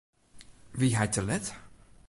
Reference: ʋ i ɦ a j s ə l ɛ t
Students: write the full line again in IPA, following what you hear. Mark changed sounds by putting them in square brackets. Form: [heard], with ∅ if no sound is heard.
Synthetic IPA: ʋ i ɦ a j [t] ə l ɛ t